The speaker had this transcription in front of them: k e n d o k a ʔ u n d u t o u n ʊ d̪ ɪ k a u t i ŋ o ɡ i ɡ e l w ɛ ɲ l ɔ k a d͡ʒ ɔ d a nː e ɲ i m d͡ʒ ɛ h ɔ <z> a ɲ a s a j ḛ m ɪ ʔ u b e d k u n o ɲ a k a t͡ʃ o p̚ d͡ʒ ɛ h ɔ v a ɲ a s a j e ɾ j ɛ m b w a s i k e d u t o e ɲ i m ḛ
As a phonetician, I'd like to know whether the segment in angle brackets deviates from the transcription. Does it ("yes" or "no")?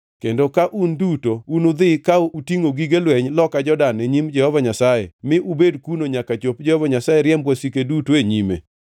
yes